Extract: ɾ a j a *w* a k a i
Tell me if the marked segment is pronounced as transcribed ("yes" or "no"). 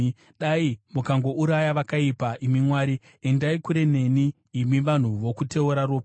no